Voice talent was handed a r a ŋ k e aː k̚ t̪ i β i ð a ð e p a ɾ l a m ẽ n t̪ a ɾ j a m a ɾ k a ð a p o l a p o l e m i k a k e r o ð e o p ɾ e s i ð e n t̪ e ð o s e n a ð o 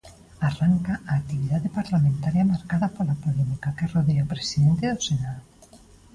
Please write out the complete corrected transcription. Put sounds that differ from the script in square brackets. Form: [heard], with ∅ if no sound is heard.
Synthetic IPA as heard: a r a ŋ k [a] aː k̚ t̪ i β i ð a ð e p a ɾ l a m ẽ n t̪ a ɾ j a m a ɾ k a ð a p o l a p o l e m i k a k e r o ð e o p ɾ e s i ð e n t̪ e ð o s e n a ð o